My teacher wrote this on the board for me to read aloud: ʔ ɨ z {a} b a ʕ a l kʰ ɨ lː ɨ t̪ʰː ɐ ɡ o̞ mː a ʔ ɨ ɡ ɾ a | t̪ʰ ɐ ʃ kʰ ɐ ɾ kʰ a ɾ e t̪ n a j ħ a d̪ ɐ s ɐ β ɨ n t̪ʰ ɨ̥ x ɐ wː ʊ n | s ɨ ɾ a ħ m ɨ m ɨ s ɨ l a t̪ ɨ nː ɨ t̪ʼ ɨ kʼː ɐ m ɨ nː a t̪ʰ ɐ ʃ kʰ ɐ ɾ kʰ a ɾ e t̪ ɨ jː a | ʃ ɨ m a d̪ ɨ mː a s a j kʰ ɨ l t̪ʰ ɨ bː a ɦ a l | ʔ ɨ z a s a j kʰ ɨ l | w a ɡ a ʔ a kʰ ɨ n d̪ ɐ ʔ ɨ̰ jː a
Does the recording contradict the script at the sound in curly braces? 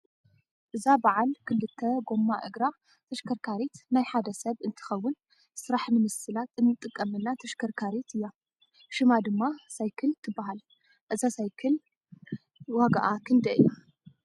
no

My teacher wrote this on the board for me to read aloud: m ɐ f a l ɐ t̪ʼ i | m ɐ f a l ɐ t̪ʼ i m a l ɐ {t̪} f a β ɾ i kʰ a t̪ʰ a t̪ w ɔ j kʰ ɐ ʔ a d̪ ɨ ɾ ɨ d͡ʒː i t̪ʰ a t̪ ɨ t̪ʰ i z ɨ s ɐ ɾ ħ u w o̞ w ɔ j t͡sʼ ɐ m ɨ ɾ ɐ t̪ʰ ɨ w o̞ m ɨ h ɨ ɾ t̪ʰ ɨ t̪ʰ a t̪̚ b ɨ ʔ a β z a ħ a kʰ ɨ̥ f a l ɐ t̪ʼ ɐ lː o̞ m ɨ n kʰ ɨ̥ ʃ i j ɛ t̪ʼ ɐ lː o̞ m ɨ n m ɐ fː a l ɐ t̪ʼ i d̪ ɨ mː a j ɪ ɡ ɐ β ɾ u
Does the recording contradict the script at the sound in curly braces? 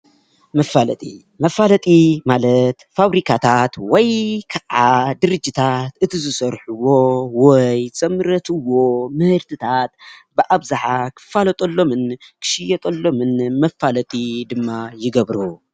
no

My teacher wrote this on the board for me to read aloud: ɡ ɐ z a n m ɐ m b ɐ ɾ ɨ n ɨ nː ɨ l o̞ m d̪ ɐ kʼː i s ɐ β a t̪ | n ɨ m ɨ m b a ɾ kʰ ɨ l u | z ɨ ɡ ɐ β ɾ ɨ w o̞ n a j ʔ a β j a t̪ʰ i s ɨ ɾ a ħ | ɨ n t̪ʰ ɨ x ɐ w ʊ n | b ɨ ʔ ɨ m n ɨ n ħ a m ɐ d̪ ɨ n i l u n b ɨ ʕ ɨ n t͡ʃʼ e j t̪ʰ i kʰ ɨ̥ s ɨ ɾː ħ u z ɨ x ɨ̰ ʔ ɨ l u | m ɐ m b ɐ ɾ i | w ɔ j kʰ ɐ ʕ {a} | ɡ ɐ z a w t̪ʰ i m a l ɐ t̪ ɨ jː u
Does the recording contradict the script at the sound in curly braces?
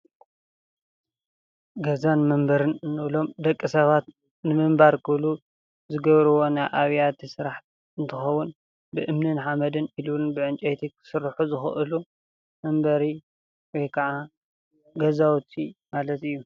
no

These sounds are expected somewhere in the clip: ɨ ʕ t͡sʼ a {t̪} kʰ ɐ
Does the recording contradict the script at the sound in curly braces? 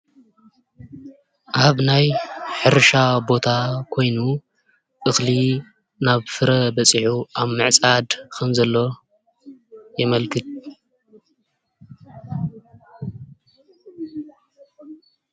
yes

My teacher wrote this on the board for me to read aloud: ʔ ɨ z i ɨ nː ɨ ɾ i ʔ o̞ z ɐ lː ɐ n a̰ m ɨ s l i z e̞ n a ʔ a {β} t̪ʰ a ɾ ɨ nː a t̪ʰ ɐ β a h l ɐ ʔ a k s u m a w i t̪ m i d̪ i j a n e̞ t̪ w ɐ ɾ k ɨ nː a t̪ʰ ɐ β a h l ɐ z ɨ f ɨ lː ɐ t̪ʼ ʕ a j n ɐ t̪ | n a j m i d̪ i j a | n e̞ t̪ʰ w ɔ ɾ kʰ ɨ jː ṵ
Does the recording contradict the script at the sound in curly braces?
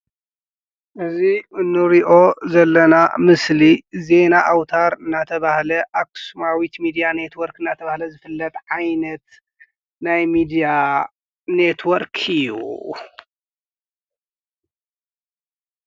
yes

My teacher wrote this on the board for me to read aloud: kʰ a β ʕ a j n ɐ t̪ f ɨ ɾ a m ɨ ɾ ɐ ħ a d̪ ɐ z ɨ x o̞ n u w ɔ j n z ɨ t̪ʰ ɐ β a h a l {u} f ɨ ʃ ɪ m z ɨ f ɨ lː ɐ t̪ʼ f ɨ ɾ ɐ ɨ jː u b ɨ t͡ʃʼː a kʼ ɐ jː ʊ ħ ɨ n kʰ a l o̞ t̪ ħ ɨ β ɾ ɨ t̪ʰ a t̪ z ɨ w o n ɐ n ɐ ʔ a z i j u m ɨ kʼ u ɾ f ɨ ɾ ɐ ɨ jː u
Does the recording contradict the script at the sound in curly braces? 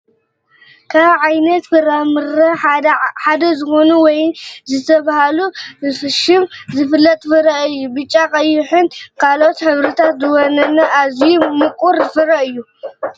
no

